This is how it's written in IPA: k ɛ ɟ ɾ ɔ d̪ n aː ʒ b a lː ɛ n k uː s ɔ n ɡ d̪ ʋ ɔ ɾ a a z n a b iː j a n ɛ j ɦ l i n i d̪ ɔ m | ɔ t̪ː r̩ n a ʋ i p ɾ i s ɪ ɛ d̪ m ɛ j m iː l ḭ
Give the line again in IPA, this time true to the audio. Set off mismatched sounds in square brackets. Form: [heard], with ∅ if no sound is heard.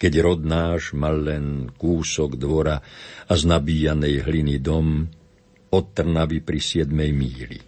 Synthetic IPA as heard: k ɛ ɟ ɾ ɔ d̪ n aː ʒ [m] a lː ɛ n k uː s ɔ [∅] ɡ d̪ ʋ ɔ ɾ a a z n a b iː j a n ɛ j ɦ l i n i d̪ ɔ m | ɔ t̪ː r̩ n a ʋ i p ɾ i s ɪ ɛ d̪ m ɛ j m iː l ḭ